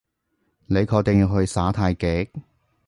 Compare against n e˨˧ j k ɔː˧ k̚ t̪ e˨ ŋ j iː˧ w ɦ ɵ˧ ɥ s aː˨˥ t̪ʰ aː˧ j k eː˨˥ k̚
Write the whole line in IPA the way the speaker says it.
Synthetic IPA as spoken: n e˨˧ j kʰ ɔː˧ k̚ t̪ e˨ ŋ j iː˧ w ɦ ɵ˧ ɥ s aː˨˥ t̪ʰ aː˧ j k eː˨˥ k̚